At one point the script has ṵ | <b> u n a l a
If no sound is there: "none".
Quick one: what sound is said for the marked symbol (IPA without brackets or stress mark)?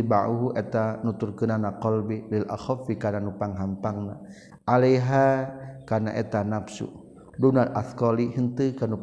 d